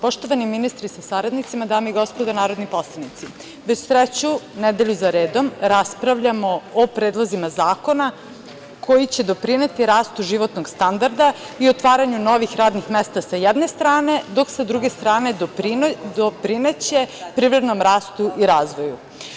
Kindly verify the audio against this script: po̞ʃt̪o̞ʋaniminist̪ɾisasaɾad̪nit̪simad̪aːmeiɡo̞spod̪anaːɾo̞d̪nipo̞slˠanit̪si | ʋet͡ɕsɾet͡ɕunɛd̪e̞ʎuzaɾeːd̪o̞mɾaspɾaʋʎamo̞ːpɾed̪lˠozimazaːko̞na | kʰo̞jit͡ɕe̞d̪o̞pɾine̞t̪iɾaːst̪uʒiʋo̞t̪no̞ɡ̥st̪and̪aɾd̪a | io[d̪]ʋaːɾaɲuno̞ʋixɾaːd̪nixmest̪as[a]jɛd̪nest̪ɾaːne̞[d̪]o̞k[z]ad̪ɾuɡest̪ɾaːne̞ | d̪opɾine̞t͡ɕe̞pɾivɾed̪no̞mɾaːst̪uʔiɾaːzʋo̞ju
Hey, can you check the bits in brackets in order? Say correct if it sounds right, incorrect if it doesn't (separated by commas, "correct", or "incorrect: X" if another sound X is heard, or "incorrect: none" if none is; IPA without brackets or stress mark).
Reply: incorrect: t̪, correct, correct, incorrect: s